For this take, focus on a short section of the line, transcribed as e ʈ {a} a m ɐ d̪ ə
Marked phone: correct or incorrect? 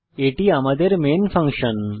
incorrect